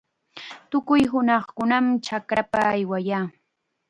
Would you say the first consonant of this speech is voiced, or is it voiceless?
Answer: voiceless